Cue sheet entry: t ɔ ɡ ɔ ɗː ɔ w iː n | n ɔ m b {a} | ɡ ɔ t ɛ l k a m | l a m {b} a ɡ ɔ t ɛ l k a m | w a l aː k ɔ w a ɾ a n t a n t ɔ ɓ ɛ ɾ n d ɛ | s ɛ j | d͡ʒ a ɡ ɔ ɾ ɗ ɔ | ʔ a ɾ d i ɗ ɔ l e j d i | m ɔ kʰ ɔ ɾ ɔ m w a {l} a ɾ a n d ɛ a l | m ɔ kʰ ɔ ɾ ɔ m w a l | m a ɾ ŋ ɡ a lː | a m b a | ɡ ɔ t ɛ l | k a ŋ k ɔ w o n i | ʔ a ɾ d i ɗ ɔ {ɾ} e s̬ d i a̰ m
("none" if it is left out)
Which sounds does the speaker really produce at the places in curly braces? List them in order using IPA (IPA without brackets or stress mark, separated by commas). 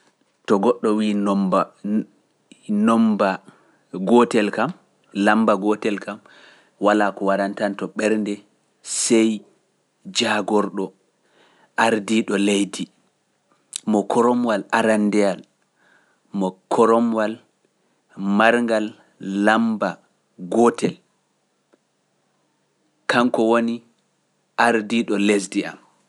a, b, l, l